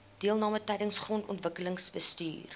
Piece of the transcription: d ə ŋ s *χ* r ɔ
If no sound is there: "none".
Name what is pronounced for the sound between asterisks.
χ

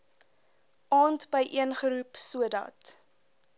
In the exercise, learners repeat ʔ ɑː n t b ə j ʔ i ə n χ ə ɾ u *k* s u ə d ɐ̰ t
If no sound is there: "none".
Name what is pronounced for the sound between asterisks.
p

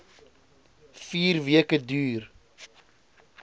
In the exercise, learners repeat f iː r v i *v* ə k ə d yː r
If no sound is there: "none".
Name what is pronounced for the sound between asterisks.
none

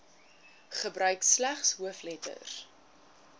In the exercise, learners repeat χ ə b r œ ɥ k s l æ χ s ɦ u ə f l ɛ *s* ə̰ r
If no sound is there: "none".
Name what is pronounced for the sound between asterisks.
t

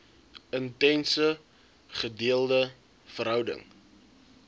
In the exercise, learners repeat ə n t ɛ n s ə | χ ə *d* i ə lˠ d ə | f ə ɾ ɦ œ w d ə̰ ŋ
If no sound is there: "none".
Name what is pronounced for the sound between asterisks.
d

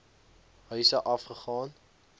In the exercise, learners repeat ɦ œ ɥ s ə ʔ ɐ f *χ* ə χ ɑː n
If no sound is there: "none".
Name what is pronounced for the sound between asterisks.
χ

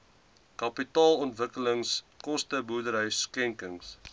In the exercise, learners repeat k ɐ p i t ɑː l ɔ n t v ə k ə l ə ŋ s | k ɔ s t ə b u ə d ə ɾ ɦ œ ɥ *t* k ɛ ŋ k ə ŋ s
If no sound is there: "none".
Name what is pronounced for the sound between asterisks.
s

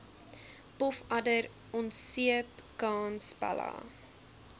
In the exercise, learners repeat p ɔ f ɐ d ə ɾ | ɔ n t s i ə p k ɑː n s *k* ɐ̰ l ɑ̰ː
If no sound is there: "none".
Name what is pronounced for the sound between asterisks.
p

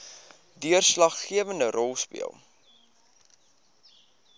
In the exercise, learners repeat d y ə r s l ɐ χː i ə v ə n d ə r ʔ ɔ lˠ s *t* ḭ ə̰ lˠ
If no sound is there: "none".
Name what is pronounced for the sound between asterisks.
p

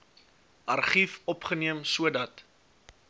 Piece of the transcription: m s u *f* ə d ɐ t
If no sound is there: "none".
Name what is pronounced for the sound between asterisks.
none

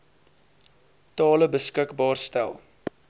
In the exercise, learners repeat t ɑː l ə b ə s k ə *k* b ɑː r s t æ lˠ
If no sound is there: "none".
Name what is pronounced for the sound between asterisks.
k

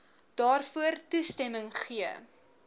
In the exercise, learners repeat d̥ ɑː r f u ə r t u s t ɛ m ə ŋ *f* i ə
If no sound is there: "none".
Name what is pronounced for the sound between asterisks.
χ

